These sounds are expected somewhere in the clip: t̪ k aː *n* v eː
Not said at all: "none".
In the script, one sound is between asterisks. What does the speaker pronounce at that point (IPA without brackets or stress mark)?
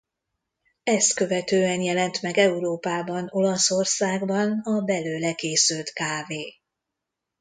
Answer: none